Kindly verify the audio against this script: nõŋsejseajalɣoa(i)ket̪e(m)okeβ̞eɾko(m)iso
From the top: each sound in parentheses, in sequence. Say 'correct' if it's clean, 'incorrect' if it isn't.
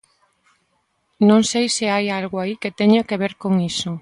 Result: correct, incorrect, incorrect

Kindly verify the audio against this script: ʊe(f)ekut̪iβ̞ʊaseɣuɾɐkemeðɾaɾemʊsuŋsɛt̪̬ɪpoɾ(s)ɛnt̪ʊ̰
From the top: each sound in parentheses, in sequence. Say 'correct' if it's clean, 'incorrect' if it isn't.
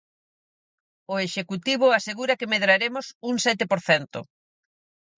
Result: incorrect, incorrect

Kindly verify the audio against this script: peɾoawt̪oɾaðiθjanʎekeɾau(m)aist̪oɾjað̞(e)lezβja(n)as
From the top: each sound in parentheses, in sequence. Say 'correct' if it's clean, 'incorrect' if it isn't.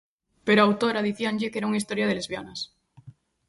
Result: incorrect, correct, correct

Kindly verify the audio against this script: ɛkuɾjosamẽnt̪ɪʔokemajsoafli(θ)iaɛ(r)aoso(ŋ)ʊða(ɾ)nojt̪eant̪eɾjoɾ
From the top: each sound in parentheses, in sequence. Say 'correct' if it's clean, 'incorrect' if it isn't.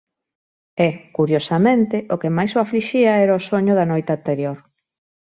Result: incorrect, incorrect, incorrect, incorrect

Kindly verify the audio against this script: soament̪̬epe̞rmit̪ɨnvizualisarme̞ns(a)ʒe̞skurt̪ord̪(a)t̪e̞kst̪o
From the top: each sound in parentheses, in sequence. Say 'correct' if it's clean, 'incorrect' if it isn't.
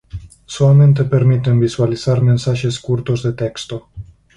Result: correct, incorrect

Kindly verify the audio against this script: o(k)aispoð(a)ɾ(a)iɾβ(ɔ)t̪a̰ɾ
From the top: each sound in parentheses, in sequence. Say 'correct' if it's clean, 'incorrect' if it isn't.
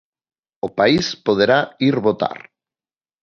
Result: incorrect, incorrect, correct, incorrect

